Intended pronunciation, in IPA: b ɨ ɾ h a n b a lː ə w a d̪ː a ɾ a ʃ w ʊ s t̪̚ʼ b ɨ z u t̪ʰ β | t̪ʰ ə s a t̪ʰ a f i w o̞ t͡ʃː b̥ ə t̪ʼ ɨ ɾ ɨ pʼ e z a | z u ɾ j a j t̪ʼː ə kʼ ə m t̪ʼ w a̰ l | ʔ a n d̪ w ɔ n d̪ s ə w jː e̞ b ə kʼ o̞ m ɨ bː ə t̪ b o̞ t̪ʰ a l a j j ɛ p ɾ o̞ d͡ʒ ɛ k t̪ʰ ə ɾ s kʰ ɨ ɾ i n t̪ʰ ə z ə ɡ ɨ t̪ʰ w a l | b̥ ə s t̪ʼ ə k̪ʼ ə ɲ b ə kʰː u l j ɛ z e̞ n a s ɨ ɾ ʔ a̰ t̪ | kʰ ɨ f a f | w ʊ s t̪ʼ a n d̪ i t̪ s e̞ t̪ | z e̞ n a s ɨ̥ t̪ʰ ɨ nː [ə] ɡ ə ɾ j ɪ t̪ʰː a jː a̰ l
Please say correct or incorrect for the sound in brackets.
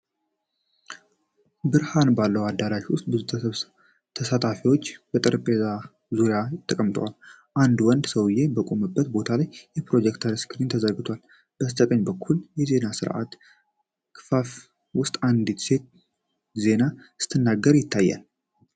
incorrect